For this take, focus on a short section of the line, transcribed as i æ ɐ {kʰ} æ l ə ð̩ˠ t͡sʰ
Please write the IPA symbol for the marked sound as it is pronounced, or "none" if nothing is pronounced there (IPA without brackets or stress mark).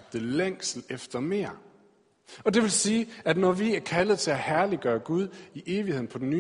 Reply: kʰ